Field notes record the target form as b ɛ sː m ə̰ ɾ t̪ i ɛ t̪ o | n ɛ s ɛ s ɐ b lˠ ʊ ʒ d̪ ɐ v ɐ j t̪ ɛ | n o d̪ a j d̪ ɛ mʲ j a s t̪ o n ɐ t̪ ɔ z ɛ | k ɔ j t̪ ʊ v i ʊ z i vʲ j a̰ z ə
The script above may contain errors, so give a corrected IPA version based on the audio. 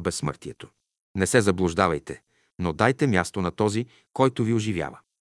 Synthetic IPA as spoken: b ɛ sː m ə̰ ɾ t̪ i ɛ t̪ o | n ɛ s ɛ z ɐ b lˠ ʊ ʒ d̪ a v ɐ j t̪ ɛ | n o d̪ a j t̪ ɛ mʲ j a s t̪ o n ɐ t̪ ɔ z i | k ɔ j t̪ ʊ v i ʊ ʒ i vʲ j a̰ v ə